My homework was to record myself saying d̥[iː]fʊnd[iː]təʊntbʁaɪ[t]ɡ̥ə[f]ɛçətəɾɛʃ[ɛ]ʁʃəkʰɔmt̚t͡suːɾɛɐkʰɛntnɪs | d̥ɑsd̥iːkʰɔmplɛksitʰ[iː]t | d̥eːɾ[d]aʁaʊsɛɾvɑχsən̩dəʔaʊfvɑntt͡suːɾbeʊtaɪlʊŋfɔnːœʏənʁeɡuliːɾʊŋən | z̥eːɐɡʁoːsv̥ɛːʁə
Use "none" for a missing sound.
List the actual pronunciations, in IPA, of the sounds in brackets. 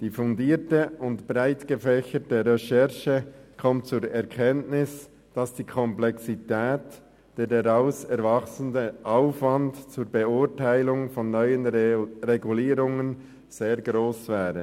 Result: iː, iː, t, f, ɛ, ɛː, d

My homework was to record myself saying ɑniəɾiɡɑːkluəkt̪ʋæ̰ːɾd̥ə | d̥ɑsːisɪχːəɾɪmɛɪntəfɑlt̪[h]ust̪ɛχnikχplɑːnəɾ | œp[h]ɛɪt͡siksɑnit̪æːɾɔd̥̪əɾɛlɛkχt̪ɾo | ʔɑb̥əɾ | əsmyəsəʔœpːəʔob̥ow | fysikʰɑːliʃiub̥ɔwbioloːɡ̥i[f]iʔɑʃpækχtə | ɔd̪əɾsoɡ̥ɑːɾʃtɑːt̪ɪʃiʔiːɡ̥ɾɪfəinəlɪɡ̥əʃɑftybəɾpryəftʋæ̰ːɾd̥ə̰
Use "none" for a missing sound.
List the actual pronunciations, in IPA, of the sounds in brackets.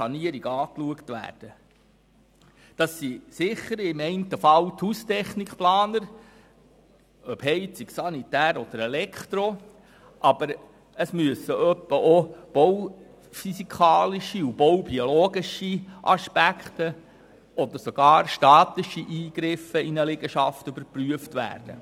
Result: h, h, ʃ

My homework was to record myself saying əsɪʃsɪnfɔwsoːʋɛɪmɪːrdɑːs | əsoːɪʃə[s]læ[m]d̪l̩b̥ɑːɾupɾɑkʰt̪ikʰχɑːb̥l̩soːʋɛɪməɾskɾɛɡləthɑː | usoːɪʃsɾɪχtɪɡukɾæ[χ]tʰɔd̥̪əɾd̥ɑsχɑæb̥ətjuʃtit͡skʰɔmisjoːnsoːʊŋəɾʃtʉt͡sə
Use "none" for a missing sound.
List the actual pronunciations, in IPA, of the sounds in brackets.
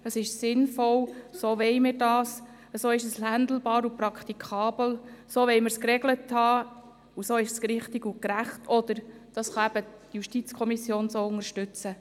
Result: s, n, χ

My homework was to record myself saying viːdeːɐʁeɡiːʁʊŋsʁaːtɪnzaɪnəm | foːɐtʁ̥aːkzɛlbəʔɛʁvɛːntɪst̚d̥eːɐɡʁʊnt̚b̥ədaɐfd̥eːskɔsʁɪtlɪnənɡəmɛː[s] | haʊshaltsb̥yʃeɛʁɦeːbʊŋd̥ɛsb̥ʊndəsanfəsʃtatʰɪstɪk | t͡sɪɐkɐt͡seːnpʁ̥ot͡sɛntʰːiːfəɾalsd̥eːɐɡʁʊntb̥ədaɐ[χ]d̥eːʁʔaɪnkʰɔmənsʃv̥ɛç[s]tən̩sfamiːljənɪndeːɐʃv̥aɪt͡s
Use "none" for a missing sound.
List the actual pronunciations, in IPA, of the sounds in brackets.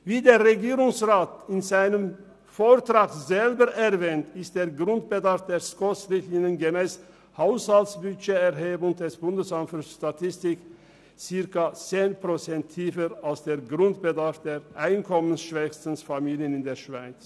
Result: s, f, s

